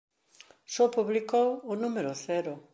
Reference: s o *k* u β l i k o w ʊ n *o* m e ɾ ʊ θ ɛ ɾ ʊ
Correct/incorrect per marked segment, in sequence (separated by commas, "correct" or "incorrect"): incorrect, incorrect